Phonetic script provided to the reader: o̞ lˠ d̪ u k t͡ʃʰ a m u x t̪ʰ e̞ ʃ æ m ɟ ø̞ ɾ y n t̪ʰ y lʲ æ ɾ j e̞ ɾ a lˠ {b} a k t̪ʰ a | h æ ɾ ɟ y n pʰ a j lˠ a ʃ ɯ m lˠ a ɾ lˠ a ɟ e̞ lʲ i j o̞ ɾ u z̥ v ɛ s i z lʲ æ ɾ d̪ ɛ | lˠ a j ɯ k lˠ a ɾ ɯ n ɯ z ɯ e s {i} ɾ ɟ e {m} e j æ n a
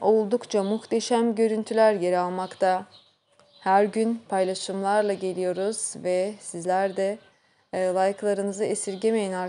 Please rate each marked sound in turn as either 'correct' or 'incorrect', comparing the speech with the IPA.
incorrect, correct, correct

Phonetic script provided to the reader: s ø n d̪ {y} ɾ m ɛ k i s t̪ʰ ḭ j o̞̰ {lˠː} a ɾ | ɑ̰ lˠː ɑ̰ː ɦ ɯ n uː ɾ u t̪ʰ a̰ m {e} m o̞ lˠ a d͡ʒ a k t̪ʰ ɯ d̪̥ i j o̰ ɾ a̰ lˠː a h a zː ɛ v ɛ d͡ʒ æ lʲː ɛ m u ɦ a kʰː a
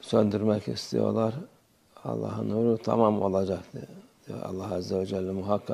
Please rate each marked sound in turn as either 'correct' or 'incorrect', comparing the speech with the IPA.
correct, incorrect, incorrect

